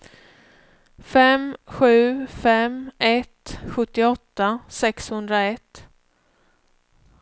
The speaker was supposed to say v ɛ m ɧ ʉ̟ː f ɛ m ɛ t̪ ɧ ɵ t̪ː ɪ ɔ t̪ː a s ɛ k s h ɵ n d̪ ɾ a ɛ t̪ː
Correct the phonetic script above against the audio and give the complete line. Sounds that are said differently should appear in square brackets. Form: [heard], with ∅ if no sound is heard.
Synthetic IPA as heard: [f] ɛ m ɧ ʉ̟ː f ɛ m ɛ t̪ ɧ ɵ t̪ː ɪ ɔ t̪ː a s ɛ k s h ɵ n d̪ ɾ a ɛ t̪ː